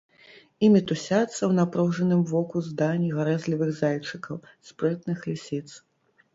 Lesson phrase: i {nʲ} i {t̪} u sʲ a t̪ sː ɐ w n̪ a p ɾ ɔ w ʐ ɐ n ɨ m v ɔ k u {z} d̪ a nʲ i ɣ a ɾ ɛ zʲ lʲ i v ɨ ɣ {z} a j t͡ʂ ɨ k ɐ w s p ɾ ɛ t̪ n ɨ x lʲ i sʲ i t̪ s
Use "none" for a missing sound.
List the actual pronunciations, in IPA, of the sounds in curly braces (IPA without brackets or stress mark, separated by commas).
mʲ, t̪, z, z